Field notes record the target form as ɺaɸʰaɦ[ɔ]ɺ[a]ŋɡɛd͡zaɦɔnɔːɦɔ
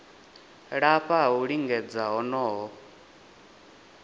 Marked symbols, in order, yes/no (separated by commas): no, no